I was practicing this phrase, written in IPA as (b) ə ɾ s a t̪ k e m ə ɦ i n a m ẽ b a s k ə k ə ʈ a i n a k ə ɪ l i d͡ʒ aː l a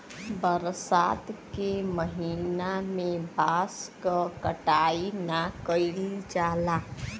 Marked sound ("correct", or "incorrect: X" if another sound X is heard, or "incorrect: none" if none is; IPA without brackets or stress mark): correct